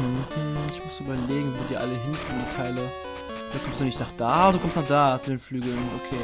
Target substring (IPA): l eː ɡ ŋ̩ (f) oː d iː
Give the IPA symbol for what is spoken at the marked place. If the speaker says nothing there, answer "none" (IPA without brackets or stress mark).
v